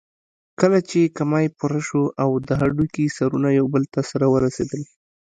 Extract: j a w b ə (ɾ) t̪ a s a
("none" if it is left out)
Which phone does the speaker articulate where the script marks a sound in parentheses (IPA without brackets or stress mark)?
l